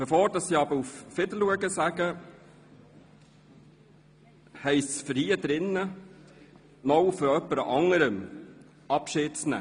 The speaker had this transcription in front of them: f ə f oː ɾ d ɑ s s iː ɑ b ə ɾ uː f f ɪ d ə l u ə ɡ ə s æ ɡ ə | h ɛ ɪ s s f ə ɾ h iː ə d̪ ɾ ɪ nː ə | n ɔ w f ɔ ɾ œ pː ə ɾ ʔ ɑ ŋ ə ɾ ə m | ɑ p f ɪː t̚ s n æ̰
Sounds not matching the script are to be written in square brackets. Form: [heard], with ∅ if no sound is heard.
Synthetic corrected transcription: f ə f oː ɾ d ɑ s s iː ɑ b ə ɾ [u] f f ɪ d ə l u ə ɡ ə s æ ɡ ə | h ɛ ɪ s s f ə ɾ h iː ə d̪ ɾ ɪ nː ə | n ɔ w f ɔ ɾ œ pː ə ɾ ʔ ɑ ŋ ə ɾ ə m | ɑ p [ʃ] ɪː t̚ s n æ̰

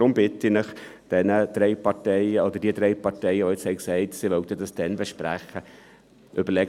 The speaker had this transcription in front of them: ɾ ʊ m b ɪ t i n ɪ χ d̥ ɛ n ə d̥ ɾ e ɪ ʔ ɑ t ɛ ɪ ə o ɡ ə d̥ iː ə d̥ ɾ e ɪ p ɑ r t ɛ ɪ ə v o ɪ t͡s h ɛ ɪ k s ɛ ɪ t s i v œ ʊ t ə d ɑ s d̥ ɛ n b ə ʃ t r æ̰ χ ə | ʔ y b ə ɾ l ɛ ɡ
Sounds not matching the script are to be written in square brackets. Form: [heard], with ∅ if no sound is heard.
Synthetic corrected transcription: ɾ ʊ m b ɪ t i n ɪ χ d̥ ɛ n ə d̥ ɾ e ɪ [p] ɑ t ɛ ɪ ə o [d] ə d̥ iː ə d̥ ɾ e ɪ p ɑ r t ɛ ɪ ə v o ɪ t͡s h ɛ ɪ k s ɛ ɪ t s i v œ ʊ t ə d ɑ s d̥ ɛ n b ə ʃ [p] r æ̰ χ ə | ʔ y b ə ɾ l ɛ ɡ

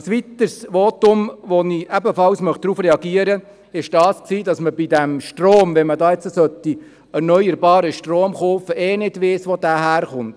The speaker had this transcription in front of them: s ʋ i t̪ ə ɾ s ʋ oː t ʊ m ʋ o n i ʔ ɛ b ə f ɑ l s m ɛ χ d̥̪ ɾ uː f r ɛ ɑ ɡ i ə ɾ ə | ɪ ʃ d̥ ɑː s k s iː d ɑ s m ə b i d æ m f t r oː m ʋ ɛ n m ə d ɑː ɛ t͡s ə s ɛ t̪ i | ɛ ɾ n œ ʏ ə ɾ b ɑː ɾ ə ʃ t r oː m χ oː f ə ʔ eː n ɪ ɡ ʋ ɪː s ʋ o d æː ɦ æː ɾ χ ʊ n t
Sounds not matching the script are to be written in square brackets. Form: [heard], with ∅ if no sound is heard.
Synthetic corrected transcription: s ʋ i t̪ ə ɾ s ʋ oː t ʊ m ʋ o n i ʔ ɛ b ə f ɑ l s m [œ] χ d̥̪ ɾ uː f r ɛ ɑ ɡ i ə ɾ ə | ɪ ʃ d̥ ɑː s k s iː d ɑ s m ə b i d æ m [ʃ] t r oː m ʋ ɛ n m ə d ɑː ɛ t͡s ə s [œ] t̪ i | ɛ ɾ n œ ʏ ə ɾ b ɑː ɾ ə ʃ t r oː m χ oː f ə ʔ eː n ɪ [d] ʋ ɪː s ʋ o d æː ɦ æː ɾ χ ʊ n t

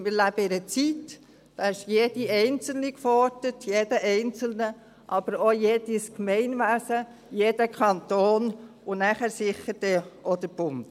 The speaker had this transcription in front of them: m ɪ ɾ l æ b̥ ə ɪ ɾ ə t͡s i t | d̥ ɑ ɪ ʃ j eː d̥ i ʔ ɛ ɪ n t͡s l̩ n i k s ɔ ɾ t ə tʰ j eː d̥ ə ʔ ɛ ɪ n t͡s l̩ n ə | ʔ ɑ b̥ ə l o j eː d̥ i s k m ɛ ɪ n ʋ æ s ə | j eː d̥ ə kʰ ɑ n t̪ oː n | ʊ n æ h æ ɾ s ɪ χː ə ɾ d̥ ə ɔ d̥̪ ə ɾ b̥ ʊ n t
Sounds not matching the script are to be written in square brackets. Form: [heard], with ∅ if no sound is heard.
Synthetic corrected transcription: m ɪ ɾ l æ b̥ ə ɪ ɾ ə t͡s i t | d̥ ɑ ɪ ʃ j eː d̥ i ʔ ɛ ɪ n t͡s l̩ n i k [f] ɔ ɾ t ə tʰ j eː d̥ ə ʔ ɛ ɪ n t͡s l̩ n ə | ʔ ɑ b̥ ə [ɾ] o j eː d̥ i s k m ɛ ɪ n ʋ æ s ə | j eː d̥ ə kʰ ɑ n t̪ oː n | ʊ n æ [χ] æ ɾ s ɪ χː ə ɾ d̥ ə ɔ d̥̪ ə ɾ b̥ ʊ n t

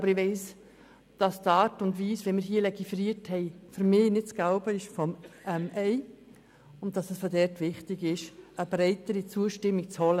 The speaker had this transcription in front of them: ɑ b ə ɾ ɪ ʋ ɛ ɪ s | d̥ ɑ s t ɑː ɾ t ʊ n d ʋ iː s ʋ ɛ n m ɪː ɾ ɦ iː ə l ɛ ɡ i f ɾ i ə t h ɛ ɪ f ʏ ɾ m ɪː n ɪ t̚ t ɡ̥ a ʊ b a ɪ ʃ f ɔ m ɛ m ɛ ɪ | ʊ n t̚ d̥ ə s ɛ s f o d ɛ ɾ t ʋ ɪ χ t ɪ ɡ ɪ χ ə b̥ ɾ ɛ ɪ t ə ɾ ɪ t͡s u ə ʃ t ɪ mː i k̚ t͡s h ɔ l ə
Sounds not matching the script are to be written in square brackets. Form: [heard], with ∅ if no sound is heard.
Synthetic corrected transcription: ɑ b ə ɾ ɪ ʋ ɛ ɪ s | d̥ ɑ s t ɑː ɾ t ʊ n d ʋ iː s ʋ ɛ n m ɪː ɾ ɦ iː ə l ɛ ɡ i f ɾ i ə t h ɛ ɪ f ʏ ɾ m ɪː n ɪ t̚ [t͡s] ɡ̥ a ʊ b [ə] ɪ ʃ f ɔ m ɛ m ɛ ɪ | ʊ n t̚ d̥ [ɑ] s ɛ s f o d ɛ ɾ t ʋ ɪ χ t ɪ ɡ ɪ [ʃ] ə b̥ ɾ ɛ ɪ t ə ɾ [i] t͡s u ə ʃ t ɪ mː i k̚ t͡s h ɔ l ə

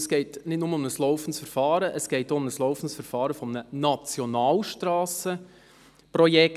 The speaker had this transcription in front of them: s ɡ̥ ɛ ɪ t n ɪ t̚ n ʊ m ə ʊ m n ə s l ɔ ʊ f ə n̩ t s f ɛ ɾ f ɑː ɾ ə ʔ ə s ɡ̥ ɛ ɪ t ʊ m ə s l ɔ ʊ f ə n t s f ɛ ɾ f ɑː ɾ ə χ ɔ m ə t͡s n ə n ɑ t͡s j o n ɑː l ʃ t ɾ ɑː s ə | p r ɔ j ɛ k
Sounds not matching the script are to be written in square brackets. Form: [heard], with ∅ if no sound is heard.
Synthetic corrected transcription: s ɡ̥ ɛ ɪ t n ɪ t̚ n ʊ m ə ʊ m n ə s l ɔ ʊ f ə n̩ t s f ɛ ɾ f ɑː ɾ ə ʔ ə s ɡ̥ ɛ ɪ t ʊ m ə s l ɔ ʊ f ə n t s f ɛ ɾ f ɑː ɾ ə [f] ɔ m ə [∅] n ə n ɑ t͡s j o n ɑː l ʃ t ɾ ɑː s ə | p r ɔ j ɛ k

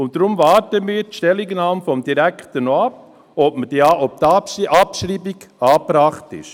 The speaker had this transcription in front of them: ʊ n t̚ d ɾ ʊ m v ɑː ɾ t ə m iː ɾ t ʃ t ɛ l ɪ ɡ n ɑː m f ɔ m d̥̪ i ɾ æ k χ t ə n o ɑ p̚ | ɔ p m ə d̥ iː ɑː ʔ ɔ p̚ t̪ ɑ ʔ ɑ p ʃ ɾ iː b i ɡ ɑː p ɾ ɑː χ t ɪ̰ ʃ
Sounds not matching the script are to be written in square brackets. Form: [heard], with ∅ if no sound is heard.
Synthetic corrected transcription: ʊ n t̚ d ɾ ʊ m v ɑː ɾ t ə m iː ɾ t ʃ t ɛ l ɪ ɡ n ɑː m f ɔ m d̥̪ i ɾ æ k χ t ə n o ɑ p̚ | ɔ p m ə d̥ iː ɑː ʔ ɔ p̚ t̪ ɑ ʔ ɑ p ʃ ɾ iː b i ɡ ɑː p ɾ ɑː χ t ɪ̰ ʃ

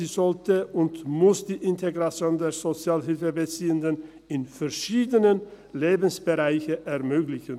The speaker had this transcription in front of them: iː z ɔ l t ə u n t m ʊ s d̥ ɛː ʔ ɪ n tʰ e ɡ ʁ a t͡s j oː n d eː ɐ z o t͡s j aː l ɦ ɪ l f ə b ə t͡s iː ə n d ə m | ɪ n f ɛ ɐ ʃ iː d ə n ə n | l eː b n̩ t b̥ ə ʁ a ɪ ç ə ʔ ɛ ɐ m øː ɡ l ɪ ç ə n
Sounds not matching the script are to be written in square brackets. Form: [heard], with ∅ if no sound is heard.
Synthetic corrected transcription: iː z ɔ l t ə [ʊ] n t m ʊ s d̥ [iː] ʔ ɪ n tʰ e ɡ ʁ a t͡s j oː n d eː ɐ z o t͡s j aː l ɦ ɪ l f ə b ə t͡s iː ə n d ə [n] | ɪ n f ɛ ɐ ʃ iː d ə n ə n | l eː b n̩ [s] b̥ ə ʁ a ɪ ç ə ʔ ɛ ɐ m øː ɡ l ɪ ç ə n

